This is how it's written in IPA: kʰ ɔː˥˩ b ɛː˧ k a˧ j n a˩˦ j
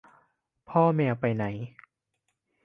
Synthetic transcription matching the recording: pʰ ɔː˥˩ m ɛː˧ p a˧ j n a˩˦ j